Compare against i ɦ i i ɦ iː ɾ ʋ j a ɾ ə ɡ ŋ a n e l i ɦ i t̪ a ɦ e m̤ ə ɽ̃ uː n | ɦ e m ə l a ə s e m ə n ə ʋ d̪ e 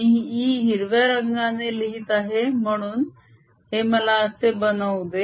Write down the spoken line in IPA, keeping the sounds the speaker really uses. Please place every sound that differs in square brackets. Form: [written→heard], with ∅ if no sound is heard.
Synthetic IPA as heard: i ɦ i i ɦ [iː→i] ɾ ʋ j a ɾ ə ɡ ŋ a n e l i ɦ i t̪ a ɦ e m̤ ə ɽ̃ uː n | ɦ e m ə l a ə s e [m→b] ə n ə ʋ d̪ e